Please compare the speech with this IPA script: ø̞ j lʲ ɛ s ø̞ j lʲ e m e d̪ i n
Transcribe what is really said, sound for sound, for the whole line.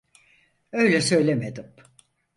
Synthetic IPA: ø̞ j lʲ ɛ s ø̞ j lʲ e m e d̪ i m